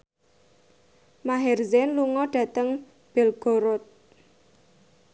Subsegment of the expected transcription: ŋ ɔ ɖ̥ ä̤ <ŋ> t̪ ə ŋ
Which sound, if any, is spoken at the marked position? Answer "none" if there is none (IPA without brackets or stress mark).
none